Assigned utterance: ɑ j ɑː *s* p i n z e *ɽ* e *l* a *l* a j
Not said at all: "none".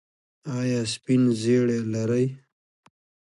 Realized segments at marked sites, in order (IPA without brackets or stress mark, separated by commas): s, ɽ, l, ɾ